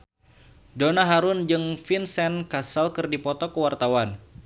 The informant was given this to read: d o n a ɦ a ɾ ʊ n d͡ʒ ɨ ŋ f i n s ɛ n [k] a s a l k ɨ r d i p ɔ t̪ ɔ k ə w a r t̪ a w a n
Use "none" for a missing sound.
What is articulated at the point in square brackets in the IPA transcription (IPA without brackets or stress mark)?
k